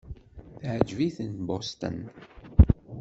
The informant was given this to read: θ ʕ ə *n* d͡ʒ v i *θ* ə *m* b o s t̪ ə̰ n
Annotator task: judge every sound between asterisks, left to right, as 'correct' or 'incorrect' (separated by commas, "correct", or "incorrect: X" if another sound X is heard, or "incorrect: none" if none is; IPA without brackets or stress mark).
incorrect: none, correct, incorrect: n